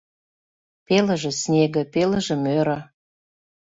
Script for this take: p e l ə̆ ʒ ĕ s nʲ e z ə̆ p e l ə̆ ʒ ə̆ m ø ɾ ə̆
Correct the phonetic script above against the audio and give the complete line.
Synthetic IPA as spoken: p e l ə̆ ʒ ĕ s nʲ e ɣ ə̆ p e l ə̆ ʒ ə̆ m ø ɾ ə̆